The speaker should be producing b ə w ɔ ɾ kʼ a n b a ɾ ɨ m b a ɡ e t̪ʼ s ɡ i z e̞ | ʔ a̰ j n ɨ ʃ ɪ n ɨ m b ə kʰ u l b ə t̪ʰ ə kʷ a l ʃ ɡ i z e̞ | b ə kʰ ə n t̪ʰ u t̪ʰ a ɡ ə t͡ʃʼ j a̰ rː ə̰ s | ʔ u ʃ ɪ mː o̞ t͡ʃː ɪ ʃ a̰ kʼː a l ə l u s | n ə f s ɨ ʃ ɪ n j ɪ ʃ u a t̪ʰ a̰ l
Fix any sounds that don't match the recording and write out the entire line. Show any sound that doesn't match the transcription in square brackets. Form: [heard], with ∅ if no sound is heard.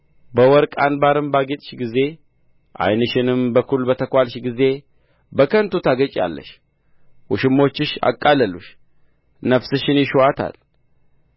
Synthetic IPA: b ə w ɔ ɾ kʼ a n b a ɾ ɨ m b a ɡ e t̪ʼ [ʃ] ɡ i z e̞ | ʔ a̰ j n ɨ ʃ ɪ n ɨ m b ə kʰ u l b ə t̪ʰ ə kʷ a l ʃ ɡ i z e̞ | b ə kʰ ə n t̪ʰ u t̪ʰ a ɡ ə t͡ʃʼ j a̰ [lː] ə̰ [ʃ] | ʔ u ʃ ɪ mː o̞ t͡ʃː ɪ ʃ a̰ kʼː a l ə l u [ʃ] | n ə f s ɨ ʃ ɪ n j ɪ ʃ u a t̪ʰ a̰ l

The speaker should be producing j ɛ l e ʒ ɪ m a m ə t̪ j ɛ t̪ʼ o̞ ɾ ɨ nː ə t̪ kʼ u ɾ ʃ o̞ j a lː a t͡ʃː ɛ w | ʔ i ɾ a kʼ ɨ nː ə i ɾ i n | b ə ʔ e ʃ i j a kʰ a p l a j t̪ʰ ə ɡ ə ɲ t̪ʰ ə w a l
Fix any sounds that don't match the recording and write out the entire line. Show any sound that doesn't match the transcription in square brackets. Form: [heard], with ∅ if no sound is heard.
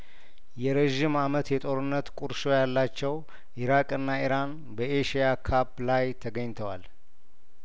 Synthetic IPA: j ɛ [ɾ] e ʒ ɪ m a m ə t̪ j ɛ t̪ʼ o̞ ɾ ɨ nː ə t̪ kʼ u ɾ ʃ o̞ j a lː a t͡ʃː ɛ w | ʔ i ɾ a kʼ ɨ nː [a] i ɾ [a] n | b ə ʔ e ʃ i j a kʰ a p l a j t̪ʰ ə ɡ ə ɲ t̪ʰ ə w a l

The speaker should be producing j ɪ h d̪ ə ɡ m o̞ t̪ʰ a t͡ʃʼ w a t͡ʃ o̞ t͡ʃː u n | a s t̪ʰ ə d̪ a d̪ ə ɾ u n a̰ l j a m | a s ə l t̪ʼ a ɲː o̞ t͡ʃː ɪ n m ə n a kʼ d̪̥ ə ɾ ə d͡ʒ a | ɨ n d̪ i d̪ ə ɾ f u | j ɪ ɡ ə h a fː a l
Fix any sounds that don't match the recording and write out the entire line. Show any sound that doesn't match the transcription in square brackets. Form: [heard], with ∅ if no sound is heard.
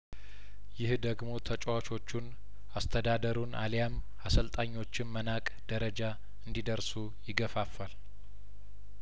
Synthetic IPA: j ɪ h d̪ ə ɡ m o̞ t̪ʰ [ə] t͡ʃʼ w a t͡ʃ o̞ t͡ʃː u n | a s t̪ʰ ə d̪ a d̪ ə ɾ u n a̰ l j a m | a s ə l t̪ʼ a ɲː o̞ t͡ʃː ɪ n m ə n a kʼ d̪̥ ə ɾ ə d͡ʒ a | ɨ n d̪ i d̪ ə ɾ [s] u | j ɪ ɡ ə [f] a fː a l

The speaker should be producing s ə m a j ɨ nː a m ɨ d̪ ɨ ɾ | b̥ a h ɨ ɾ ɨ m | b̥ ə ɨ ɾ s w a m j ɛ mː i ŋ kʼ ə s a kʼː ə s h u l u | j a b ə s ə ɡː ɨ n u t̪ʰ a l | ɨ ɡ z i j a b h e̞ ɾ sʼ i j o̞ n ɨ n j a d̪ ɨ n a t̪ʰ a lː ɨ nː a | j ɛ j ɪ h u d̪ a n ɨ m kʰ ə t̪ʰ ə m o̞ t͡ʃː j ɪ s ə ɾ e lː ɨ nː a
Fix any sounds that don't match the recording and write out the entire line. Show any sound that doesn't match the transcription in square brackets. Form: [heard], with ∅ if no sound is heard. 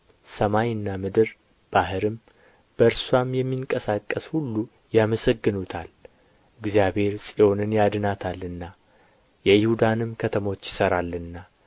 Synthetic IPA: s ə m a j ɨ nː a m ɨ d̪ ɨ ɾ | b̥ a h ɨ ɾ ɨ m | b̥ ə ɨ ɾ s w a m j ɛ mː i ŋ kʼ ə s a kʼː ə s h u [lː] u | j a [m] ə s ə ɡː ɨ n u t̪ʰ a l | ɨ ɡ z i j a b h e̞ ɾ sʼ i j o̞ n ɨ n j a d̪ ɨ n a t̪ʰ a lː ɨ nː a | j ɛ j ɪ h u d̪ a n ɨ m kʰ ə t̪ʰ ə m o̞ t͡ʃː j ɪ s ə ɾ [a] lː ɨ nː a

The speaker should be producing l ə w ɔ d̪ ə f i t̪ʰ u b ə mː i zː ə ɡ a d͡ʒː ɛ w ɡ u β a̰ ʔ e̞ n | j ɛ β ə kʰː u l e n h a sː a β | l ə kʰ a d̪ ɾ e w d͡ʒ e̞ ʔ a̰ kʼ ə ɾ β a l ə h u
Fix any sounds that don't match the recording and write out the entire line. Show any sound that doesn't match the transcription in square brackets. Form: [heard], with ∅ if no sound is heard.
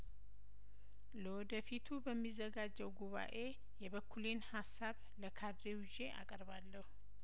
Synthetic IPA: l ə w ɔ d̪ ə f i t̪ʰ u b ə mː i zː ə ɡ a d͡ʒː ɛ w ɡ u β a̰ ʔ e̞ [∅] | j ɛ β ə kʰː u l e n h a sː a β | l ə kʰ a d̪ ɾ e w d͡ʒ e̞ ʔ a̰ kʼ ə ɾ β a [lː] ə h u

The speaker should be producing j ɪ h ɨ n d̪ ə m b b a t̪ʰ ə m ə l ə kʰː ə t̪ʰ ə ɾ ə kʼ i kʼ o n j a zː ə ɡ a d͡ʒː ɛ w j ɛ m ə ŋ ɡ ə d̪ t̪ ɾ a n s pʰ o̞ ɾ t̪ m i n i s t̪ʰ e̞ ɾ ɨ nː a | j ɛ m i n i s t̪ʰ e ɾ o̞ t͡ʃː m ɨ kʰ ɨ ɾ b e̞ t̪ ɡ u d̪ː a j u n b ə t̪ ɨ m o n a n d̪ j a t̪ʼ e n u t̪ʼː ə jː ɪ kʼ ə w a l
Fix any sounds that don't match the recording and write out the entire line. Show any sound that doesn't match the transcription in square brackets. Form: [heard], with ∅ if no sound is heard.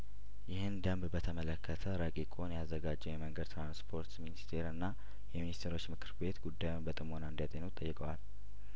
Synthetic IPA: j ɪ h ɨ n d̪ ə m b b [ə] t̪ʰ ə m ə l ə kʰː ə t̪ʰ ə ɾ ə kʼ i kʼ o n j a zː ə ɡ a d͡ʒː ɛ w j ɛ m ə ŋ ɡ ə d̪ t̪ ɾ a n s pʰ o̞ ɾ t̪ m i n i s t̪ʰ e̞ ɾ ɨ nː a | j ɛ m i n i s t̪ʰ e ɾ o̞ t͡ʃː m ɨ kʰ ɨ ɾ b e̞ t̪ ɡ u d̪ː a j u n b ə [t̪ʼ] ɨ m o n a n d̪ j a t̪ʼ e n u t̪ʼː ə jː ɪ kʼ ə w a l

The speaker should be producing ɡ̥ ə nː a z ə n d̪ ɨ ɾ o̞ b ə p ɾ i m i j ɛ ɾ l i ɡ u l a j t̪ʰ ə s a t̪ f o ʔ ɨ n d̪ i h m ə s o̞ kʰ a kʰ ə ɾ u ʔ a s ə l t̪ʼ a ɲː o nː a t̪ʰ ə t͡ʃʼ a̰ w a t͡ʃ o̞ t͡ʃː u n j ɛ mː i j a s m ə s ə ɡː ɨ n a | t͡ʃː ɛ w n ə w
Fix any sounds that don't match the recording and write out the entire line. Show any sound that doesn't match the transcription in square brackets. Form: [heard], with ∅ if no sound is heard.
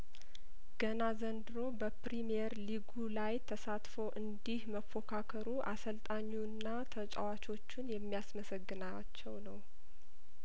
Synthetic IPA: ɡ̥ ə [n] a z ə n d̪ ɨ ɾ o̞ b ə p ɾ i m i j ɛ ɾ l i ɡ u l a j t̪ʰ ə s a t̪ f o ʔ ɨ n d̪ i h m ə [f] o̞ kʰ a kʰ ə ɾ u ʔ a s ə l t̪ʼ a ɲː [u] nː a t̪ʰ ə t͡ʃʼ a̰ w a t͡ʃ o̞ t͡ʃː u n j ɛ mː i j a s m ə s ə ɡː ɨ n a | t͡ʃː ɛ w n ə w

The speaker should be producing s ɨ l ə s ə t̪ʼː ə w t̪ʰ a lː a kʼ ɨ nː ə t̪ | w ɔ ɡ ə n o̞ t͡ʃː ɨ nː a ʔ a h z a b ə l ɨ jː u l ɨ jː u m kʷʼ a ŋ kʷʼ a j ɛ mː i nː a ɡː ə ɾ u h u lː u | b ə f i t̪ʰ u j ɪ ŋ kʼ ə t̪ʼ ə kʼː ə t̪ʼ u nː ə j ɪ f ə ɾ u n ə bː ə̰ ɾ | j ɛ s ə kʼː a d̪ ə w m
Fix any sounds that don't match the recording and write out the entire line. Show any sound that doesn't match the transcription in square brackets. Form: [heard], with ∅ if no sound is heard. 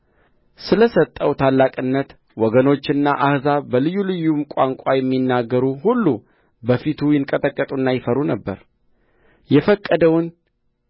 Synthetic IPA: s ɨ l ə s ə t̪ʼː ə w t̪ʰ a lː a kʼ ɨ nː ə t̪ | w ɔ ɡ ə n o̞ t͡ʃː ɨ nː a ʔ a h z a b ə l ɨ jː u l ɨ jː u m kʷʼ a ŋ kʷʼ a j ɛ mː i nː a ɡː ə ɾ u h u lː u | b ə f i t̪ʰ u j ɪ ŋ kʼ ə t̪ʼ ə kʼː ə t̪ʼ u nː [a] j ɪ f ə ɾ u n ə bː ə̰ ɾ | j ɛ [f] ə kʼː [ə] d̪ ə w [n]

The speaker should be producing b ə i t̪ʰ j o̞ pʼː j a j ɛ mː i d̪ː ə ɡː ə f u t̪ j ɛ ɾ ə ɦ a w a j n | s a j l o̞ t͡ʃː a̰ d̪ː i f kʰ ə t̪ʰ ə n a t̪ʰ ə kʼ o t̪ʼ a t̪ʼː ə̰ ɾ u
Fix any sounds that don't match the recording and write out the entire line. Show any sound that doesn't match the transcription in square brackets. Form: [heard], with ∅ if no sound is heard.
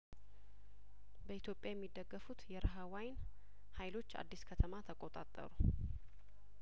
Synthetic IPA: b ə i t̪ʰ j o̞ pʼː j a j ɛ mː i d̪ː ə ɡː ə f u t̪ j ɛ ɾ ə ɦ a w a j n | [h] a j l o̞ t͡ʃː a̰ d̪ː i [s] kʰ ə t̪ʰ ə [m] a t̪ʰ ə kʼ o t̪ʼ a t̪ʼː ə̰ ɾ u

